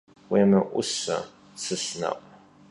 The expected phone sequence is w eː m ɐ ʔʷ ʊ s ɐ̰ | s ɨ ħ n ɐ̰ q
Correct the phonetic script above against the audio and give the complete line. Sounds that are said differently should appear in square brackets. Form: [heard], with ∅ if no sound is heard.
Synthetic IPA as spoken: w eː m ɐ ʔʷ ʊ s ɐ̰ | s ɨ [s] n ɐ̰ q